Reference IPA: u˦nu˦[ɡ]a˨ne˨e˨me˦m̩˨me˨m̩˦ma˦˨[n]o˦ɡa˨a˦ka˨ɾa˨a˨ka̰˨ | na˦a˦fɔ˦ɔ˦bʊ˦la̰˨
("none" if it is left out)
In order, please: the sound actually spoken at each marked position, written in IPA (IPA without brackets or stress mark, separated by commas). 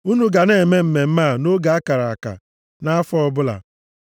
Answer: ɡ, n